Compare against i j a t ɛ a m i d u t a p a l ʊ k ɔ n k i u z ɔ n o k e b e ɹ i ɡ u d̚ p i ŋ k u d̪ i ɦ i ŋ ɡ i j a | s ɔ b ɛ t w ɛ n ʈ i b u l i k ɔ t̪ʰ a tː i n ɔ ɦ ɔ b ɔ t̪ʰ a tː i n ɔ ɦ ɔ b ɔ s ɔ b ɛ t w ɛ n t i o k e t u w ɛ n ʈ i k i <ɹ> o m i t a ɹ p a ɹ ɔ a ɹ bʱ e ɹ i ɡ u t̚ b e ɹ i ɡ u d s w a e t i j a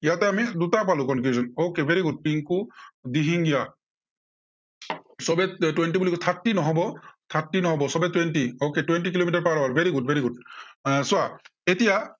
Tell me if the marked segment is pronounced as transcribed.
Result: no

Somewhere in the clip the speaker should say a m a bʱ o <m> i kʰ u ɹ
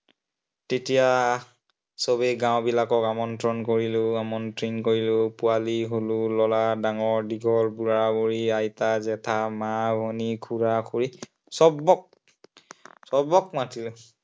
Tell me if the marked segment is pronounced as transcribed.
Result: no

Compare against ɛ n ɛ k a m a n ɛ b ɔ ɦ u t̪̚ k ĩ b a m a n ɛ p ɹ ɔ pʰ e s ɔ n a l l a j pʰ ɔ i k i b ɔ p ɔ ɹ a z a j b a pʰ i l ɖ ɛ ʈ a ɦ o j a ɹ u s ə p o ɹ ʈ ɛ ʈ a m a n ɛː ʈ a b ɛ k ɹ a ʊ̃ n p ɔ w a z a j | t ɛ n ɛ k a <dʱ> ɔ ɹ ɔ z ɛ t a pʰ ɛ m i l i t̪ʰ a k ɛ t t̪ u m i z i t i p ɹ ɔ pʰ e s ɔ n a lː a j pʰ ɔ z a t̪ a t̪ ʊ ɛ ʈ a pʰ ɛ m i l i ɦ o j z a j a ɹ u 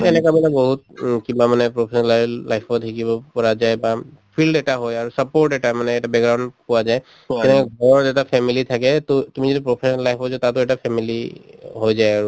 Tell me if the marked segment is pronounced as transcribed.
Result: no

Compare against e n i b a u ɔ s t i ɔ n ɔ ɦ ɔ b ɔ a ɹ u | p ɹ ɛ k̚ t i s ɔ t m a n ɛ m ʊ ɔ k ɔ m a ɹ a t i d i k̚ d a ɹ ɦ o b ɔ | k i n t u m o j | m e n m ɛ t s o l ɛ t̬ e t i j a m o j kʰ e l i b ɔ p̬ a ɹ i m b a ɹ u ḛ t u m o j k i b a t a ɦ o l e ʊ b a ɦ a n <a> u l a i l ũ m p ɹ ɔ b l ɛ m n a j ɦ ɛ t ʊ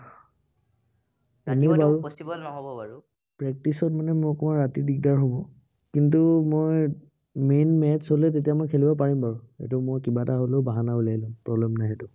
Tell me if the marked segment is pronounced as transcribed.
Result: yes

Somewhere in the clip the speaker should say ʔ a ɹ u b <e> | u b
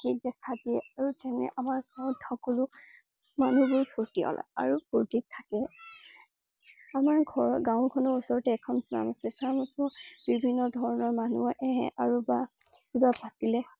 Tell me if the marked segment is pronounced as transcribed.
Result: no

